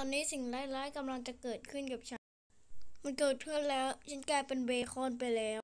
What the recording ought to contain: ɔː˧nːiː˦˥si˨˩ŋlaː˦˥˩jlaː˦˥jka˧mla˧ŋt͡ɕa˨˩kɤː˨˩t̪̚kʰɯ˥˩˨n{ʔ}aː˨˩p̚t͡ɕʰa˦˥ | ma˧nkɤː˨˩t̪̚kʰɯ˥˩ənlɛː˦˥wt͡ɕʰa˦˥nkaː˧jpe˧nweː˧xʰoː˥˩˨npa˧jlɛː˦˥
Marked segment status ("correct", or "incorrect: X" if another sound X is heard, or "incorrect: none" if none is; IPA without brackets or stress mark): incorrect: k